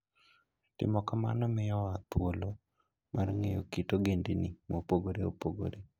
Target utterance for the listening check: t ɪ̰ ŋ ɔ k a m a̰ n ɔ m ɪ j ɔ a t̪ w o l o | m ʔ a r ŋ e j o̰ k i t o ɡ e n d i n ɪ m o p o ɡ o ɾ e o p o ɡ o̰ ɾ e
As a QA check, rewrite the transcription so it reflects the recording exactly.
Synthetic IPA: t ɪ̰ m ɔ k a m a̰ n ɔ m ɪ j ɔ a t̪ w o l o | m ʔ a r ŋ e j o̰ k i t o ɡ e n d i n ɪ m o p o ɡ o ɾ e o p o ɡ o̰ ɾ e

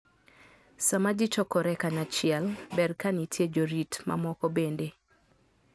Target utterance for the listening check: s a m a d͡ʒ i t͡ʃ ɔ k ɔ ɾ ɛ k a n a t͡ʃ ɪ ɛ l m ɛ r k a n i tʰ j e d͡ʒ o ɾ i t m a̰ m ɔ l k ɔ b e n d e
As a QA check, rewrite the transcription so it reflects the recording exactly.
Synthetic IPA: s a m a d͡ʒ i t͡ʃ ɔ k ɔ ɾ ɛ k a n a t͡ʃ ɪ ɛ l b ɛ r k a n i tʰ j e d͡ʒ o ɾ i t m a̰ m ɔ k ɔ b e n d e

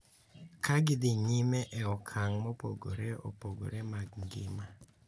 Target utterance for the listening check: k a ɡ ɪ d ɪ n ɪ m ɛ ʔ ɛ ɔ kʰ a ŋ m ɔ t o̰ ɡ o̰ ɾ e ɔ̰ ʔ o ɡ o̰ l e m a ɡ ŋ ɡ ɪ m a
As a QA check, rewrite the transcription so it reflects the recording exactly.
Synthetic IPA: k a ɡ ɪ d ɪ ɲ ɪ m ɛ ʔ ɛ ɔ kʰ a ŋ m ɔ p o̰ ɡ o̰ ɾ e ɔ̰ p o ɡ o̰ ɾ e m a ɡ ŋ ɡ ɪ m a

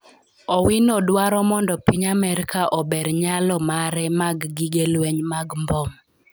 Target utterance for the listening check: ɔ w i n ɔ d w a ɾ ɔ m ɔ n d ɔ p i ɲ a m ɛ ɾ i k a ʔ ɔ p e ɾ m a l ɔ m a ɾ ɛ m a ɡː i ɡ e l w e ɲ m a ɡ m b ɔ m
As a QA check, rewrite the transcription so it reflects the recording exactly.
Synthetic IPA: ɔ w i n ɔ d w a ɾ ɔ m ɔ n d ɔ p i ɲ a m ɛ ɾ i k a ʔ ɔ b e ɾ ɲ a l ɔ m a ɾ ɛ m a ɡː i ɡ e l w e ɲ m a ɡ m b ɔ m

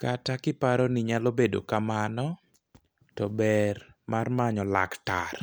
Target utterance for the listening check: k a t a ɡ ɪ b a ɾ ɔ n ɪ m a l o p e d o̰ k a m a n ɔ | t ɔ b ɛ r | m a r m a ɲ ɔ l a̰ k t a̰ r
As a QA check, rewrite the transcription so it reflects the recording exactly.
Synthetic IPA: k a t a k ɪ p a ɾ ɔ n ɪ ɲ a l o b e d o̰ k a m a n ɔ | t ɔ b ɛ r | m a r m a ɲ ɔ l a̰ k t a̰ r

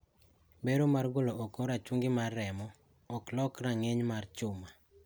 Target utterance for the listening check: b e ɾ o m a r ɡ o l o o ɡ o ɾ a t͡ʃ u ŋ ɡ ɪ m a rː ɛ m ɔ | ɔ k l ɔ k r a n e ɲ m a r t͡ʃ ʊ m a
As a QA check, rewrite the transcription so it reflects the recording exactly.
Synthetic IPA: b e ɾ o m a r ɡ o l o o k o ɾ a t͡ʃ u ŋ ɡ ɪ m a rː ɛ m ɔ | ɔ k l ɔ k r a ŋ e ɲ m a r t͡ʃ ʊ m a

